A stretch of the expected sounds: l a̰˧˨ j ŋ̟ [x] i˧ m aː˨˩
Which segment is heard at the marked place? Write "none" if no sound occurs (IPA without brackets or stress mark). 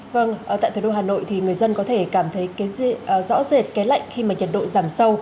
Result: x